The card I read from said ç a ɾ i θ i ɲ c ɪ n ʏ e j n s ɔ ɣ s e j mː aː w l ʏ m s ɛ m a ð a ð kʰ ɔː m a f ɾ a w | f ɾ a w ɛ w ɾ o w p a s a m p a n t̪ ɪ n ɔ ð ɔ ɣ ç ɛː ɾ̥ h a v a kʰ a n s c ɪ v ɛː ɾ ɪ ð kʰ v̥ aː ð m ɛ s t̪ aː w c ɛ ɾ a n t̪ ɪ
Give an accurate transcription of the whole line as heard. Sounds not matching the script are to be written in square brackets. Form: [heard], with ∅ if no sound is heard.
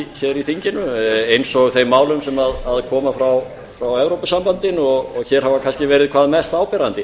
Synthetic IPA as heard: ç [ɛ] ɾ i θ i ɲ c ɪ n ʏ e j n s ɔ ɣ [θ] e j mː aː w l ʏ m s ɛ m a ð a ð kʰ ɔː m a f ɾ a w | f ɾ a w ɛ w ɾ o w p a s a m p a n t̪ ɪ n ɔ [ɣ] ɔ ɣ ç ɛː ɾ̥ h a v a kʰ a n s c ɪ v ɛː ɾ ɪ ð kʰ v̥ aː ð m ɛ s t̪ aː w [p] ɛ ɾ a n t̪ ɪ